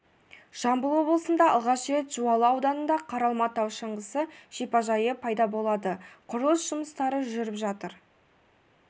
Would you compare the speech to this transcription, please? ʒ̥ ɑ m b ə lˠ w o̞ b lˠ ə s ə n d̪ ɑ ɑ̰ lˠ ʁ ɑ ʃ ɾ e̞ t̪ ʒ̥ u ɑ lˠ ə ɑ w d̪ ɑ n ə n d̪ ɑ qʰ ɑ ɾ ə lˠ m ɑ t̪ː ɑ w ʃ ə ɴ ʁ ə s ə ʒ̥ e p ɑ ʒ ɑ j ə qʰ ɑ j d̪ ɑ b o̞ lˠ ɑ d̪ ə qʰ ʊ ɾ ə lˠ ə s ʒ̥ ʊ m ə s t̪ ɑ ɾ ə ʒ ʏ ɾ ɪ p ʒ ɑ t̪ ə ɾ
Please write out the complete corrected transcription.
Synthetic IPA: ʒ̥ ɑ m b ə lˠ w o̞ b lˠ ə s ə n d̪ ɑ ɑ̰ lˠ ʁ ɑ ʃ ɾ e̞ t̪ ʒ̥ u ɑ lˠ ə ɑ w d̪ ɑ n ə n d̪ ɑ qʰ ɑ ɾ ɑ lˠ m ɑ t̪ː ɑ w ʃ ə ɴ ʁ ə s ə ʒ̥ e p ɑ ʒ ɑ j ə pʰ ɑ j d̪ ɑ b o̞ lˠ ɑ d̪ ə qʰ ʊ ɾ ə lˠ ə s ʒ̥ ʊ m ə s t̪ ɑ ɾ ə ʒ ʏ ɾ ɪ p ʒ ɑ t̪ ə ɾ